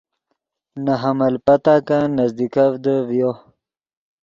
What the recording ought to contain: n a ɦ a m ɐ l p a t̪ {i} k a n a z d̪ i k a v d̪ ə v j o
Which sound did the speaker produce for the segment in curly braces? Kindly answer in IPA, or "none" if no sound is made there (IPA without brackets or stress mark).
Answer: a